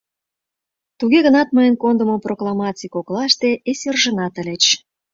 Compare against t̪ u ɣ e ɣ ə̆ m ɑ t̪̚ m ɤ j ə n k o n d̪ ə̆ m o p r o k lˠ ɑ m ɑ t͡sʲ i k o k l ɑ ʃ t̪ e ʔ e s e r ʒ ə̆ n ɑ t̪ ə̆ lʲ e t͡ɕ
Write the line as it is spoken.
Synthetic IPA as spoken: t̪ u ɣ e ɣ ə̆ n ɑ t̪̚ m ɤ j ə n k o n d̪ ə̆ m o p r o k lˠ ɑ m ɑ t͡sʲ i k o k l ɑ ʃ t̪ e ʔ e s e r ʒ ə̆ n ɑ t̪ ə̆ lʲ e t͡ɕ

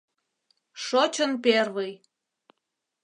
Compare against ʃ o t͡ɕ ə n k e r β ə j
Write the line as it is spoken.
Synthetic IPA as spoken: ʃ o t͡ɕ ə n p e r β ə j

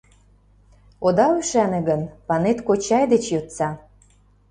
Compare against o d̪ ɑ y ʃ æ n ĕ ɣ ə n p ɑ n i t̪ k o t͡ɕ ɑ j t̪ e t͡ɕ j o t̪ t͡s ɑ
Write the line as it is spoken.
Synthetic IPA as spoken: o d̪ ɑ y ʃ æ n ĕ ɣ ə n p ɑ n e t̪ k o t͡ɕ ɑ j d̪ e t͡ɕ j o t̪ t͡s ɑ

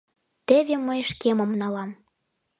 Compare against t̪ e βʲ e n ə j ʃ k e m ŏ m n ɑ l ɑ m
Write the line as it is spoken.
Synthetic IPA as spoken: t̪ e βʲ e m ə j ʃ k e m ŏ m n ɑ l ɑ m

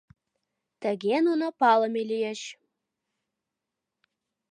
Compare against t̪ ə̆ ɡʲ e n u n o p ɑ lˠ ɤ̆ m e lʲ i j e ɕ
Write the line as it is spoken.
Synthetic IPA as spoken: t̪ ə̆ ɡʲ e n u n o p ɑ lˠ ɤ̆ m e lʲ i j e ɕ

